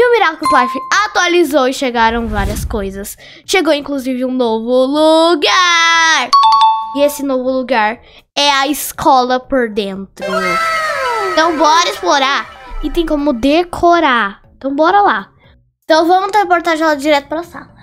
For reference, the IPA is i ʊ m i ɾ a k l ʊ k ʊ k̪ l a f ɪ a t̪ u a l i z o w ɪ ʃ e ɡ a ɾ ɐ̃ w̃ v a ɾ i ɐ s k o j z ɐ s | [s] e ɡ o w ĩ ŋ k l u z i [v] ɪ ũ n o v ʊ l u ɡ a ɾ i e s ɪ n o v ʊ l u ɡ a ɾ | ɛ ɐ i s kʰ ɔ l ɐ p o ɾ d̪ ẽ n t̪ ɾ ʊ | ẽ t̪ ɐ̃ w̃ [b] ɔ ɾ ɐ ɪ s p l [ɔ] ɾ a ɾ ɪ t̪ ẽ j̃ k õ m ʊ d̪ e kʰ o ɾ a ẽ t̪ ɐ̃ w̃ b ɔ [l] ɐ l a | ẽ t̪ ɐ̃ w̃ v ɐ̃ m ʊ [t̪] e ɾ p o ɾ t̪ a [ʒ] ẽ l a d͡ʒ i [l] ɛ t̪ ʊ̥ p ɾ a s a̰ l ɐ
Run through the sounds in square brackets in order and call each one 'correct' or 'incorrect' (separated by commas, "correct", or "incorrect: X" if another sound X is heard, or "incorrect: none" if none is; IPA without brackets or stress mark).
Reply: incorrect: ʃ, correct, correct, incorrect: o, incorrect: ɾ, correct, correct, incorrect: ɾ